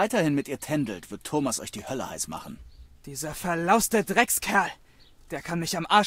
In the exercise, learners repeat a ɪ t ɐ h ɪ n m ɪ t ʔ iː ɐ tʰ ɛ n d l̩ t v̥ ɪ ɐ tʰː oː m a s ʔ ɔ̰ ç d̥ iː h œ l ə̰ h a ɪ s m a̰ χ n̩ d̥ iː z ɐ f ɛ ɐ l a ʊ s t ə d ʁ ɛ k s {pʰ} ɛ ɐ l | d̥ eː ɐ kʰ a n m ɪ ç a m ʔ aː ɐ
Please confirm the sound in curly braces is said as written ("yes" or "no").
no